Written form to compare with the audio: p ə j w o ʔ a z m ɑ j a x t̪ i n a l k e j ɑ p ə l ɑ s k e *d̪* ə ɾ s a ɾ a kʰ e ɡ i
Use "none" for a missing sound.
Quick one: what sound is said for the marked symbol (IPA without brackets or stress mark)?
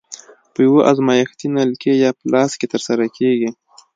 t̪